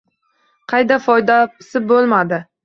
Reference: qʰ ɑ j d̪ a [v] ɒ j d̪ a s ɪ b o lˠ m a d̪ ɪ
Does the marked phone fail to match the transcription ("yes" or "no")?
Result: yes